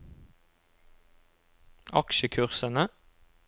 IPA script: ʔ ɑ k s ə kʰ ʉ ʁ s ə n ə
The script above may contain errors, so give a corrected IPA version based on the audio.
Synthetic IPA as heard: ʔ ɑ k ʃ ə kʰ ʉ ʁ s ə n ə